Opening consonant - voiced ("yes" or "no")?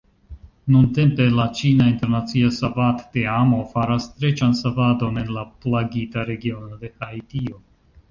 yes